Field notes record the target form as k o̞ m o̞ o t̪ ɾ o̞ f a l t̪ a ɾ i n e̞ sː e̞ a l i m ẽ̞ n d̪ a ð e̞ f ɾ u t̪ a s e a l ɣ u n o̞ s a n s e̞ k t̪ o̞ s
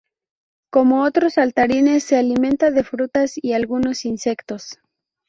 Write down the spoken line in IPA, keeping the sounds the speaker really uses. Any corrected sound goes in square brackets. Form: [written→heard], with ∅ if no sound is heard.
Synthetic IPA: k o̞ m o̞ o t̪ ɾ o̞ [f→s] a l t̪ a ɾ i n e̞ sː e̞ a l i m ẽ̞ n [d̪→t̪] a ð e̞ f ɾ u t̪ a s [e→i] a l ɣ u n o̞ s [a→i] n s e̞ k t̪ o̞ s